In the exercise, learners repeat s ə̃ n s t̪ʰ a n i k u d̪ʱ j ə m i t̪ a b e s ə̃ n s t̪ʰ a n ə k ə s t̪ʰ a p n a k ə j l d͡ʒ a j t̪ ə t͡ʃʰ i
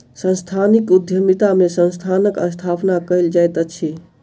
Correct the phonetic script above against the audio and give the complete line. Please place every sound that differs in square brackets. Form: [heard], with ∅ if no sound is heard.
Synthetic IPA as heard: s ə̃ n s t̪ʰ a n i k u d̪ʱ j ə m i t̪ a [m] e s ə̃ n s t̪ʰ a n ə k ə s t̪ʰ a p n a k ə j l d͡ʒ a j t̪ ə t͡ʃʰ i